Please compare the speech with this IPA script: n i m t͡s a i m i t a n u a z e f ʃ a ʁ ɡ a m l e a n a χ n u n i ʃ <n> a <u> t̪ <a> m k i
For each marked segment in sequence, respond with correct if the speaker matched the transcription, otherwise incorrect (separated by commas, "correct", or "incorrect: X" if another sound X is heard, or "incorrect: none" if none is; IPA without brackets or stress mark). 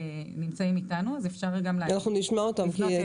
incorrect: m, incorrect: o, correct